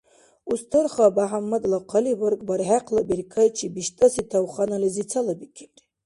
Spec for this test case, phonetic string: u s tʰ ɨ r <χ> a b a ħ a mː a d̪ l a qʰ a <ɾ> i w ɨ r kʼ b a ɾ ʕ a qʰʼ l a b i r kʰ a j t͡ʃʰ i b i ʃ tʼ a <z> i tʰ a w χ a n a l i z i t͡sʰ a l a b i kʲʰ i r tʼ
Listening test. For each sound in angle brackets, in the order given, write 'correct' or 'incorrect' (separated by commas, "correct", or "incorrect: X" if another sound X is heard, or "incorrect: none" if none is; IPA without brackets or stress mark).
correct, incorrect: l, incorrect: s